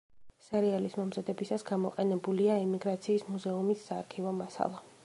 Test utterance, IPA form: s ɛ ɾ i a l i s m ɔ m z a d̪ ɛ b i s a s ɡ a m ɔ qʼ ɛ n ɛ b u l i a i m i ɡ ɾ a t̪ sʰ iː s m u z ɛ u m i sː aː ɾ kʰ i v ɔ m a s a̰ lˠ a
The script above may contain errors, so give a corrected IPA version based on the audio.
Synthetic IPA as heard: s ɛ ɾ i a l i s m ɔ m z a d̪ ɛ b i s a s ɡ a m ɔ qʼ ɛ n ɛ b u l i a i m i ɡ ɾ a t̪ sʰ iː s m u z ɛ u m i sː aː ɾ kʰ i v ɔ m a s a̰ lˠ a